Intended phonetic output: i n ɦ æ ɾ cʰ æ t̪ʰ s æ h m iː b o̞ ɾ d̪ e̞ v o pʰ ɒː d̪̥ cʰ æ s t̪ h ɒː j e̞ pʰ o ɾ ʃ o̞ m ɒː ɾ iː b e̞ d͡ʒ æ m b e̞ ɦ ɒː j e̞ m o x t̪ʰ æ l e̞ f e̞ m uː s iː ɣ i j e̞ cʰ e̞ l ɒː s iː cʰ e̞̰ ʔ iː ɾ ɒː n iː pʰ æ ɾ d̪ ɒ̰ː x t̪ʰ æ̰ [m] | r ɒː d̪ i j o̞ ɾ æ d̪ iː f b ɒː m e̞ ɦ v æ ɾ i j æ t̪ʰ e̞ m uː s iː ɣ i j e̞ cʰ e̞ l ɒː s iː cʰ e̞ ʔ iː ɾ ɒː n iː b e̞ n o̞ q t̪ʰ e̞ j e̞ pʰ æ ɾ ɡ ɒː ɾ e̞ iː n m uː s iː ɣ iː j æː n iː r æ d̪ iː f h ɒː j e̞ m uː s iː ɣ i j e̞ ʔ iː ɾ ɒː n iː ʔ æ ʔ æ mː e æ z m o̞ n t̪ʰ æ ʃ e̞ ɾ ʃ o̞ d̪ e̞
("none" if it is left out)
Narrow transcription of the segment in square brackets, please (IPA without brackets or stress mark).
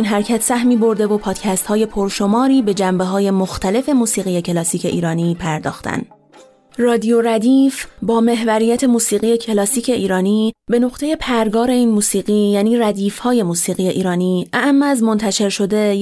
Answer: n